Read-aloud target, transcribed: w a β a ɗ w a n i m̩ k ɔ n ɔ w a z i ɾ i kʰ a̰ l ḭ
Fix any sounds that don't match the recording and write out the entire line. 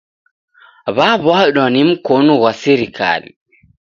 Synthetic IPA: β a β a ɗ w a n i m̩ k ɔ n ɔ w a s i ɾ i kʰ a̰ l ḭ